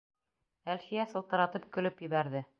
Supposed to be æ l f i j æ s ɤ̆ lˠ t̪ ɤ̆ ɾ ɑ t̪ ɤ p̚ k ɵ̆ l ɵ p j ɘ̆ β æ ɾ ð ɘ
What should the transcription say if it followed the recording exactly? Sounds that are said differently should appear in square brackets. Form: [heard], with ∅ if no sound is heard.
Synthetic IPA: æ l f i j æ s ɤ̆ lˠ t̪ ɤ̆ ɾ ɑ t̪ ɤ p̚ k ɵ̆ l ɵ p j ɘ̆ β æ ɾ ð ɘ